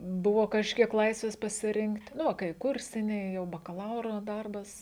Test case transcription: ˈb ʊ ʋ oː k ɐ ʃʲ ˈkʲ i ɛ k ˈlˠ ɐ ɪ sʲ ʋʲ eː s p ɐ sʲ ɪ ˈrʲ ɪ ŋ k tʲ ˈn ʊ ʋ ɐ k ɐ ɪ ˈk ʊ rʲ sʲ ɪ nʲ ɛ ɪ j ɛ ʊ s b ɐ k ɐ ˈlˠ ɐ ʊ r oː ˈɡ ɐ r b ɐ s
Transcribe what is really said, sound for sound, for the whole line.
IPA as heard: ˈb ʊ ʋ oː k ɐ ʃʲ ˈkʲ i ɛ k ˈlˠ ɐ ɪ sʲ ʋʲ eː s p ɐ sʲ ɪ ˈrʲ ɪ ŋ k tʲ ˈn ʊ ʋ ɐ k ɐ ɪ ˈk ʊ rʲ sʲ ɪ nʲ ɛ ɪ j ɛ ʊ b ɐ k ɐ ˈlˠ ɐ ʊ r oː ˈd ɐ r b ɐ s